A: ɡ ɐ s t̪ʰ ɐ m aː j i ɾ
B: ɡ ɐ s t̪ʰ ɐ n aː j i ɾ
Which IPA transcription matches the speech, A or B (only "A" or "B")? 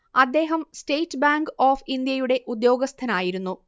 B